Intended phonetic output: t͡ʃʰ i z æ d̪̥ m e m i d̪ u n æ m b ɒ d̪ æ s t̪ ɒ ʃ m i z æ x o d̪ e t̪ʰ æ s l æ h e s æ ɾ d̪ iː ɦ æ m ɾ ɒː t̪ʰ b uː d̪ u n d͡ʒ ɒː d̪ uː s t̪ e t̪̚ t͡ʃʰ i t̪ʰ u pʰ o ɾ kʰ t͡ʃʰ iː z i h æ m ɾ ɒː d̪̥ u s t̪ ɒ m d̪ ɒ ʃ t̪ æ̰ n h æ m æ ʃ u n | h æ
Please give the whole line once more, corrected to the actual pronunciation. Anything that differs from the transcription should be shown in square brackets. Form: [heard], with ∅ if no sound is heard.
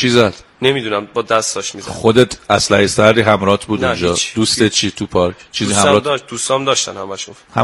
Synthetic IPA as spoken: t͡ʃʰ i z æ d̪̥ [n] e m i d̪ u n æ m b ɒ d̪ æ s t̪ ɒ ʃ m i z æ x o d̪ e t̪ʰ æ s l æ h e s æ ɾ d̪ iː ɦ æ m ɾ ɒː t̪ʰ b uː d̪ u n d͡ʒ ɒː d̪ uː s t̪ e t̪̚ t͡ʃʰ i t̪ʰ u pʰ [ɒ] ɾ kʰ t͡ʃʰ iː z i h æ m ɾ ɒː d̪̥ u s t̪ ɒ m d̪ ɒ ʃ t̪ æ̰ n h æ m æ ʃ u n | h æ